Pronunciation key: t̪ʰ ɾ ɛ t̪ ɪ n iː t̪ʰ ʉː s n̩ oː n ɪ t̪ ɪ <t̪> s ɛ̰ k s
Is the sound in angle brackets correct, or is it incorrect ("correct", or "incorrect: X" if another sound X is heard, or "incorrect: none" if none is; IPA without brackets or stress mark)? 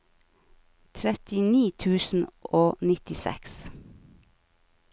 incorrect: none